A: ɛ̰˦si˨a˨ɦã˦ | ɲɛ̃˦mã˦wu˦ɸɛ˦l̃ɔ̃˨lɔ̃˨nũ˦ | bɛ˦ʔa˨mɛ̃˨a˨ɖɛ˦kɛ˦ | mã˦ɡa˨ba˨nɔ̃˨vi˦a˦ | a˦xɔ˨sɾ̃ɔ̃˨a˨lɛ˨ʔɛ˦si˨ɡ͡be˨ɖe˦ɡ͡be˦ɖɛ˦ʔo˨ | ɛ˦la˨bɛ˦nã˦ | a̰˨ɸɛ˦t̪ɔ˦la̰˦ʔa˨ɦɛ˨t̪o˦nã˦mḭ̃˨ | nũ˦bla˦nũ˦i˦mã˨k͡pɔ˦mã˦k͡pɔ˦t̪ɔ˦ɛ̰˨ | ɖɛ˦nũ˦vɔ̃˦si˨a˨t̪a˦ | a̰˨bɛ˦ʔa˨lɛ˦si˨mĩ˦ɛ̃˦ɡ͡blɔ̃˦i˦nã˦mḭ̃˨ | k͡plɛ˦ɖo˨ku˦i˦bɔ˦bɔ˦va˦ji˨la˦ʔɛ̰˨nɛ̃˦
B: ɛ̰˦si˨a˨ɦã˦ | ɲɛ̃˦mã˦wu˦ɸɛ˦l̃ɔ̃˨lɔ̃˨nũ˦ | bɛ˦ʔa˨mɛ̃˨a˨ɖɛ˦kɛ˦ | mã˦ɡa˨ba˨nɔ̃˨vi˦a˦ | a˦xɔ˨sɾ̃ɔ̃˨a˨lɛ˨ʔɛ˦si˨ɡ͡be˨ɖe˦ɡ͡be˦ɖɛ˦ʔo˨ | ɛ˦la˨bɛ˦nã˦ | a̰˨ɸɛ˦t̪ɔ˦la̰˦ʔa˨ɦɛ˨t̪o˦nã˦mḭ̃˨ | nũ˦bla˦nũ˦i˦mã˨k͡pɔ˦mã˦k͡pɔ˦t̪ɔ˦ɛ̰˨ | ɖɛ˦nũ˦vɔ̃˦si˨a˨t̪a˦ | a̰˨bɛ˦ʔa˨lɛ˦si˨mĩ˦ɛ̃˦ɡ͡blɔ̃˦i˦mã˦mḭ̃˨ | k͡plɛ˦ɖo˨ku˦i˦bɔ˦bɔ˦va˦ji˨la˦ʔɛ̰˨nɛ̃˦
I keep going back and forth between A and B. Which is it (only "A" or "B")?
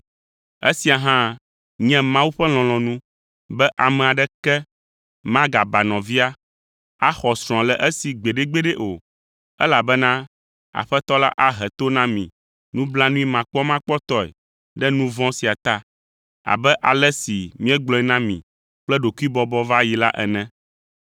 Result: A